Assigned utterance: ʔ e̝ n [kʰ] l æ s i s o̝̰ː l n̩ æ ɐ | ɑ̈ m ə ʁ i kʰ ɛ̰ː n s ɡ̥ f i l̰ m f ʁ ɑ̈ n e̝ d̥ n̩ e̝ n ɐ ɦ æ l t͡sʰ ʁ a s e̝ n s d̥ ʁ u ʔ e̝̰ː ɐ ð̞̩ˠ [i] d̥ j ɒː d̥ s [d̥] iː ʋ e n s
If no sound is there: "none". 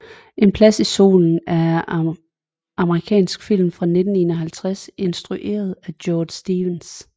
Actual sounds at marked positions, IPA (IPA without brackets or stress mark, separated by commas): pʰ, æ, d̥